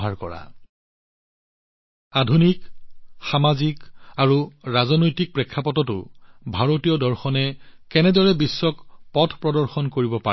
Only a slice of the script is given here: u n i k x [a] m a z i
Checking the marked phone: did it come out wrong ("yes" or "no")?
no